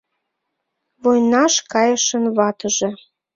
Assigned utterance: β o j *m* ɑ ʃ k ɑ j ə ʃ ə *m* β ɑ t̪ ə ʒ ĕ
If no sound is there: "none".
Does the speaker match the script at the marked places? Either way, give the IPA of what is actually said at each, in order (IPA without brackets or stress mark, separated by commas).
n, n